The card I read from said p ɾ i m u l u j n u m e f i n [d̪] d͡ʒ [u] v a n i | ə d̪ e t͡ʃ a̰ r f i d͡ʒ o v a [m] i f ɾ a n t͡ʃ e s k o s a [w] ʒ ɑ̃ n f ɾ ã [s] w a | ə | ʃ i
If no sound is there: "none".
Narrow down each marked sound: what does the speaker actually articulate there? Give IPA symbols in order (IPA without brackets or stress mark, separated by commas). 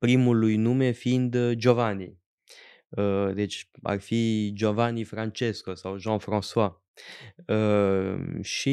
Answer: d̪, o, n, w, s